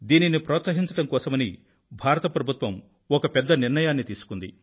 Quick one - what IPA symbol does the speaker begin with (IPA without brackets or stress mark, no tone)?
d̪